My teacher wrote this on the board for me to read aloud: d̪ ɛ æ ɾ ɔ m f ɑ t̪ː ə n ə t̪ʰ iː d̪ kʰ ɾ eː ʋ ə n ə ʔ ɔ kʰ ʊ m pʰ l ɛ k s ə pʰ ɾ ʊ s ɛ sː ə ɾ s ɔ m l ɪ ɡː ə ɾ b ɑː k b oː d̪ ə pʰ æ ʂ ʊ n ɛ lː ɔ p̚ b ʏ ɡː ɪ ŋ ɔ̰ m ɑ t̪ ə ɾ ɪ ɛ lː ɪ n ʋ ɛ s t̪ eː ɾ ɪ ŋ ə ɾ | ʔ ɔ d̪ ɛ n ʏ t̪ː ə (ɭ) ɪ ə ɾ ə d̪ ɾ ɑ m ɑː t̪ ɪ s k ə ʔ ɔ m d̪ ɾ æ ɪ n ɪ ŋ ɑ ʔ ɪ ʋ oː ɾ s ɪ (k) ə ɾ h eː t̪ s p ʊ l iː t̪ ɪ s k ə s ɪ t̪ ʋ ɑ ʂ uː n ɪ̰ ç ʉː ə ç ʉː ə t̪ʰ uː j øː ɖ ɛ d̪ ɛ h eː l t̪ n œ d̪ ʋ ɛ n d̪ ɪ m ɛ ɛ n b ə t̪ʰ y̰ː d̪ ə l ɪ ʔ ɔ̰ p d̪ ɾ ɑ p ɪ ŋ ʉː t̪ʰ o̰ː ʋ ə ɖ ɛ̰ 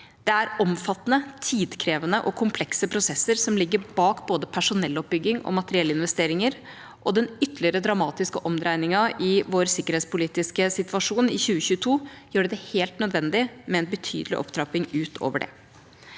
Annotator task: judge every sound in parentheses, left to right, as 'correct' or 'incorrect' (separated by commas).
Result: incorrect, correct